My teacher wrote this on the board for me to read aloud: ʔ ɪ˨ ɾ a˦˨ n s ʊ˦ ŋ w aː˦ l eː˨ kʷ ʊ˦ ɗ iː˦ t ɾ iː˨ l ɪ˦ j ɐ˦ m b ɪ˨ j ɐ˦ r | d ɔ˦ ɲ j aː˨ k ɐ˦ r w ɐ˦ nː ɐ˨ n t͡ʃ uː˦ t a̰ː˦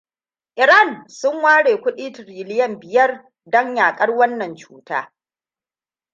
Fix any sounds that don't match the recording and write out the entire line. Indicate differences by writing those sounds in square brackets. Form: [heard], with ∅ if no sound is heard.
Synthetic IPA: ʔ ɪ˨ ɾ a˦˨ n s ʊ˦ ŋ w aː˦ [ɽ] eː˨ kʷ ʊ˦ ɗ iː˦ t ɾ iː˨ l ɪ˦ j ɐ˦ m b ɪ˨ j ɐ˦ r | d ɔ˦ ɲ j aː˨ [kʼ] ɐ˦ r w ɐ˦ nː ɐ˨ n t͡ʃ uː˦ t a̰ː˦